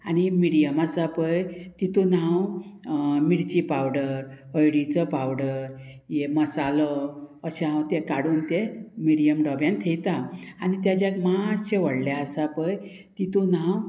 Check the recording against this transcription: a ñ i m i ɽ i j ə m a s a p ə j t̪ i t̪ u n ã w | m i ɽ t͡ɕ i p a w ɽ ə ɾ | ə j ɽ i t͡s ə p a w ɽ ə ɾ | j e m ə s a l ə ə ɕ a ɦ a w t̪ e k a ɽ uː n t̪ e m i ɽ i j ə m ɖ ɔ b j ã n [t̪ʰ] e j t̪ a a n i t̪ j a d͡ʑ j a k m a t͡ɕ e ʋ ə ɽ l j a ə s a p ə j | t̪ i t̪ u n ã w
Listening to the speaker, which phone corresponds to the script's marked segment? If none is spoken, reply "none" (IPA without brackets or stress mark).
t̪ʰ